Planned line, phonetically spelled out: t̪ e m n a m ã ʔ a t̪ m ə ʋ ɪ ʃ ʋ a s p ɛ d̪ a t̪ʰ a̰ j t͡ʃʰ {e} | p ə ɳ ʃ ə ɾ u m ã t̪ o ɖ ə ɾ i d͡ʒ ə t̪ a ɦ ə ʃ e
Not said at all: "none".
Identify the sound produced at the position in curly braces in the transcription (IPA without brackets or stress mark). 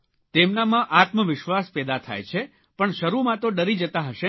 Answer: e